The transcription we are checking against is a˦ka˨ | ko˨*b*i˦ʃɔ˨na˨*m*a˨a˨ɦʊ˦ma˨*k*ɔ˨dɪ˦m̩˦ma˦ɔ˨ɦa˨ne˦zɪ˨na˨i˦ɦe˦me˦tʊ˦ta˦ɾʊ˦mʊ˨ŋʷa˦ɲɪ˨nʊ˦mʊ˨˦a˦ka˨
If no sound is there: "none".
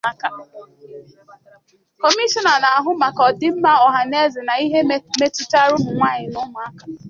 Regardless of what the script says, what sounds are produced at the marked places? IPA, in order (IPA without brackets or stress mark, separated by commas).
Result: m, n, k